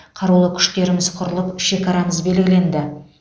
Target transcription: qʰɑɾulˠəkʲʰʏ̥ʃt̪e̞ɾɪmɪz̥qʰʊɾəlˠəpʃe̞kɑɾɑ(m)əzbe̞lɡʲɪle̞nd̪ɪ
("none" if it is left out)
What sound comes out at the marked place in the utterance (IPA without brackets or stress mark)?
m